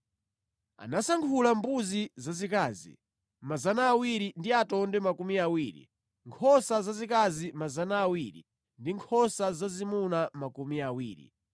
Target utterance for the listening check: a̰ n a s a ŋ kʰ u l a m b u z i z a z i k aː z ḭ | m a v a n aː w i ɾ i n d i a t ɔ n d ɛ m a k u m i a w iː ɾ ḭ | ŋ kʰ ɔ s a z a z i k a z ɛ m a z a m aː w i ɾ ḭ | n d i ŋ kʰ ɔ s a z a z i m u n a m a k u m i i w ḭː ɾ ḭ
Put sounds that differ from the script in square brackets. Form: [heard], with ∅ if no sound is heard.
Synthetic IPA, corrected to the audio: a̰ n a s a ŋ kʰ u l a m b u z i z a z i k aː z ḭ | m a [z] a n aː w i ɾ i n d i a t ɔ n d ɛ m a k u m i a w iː ɾ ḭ | ŋ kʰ ɔ s a z a z i k a z [i] m a z a [n] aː w i ɾ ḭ | n d i ŋ kʰ ɔ s a z a z i m u n a m a k u m i [a] w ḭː ɾ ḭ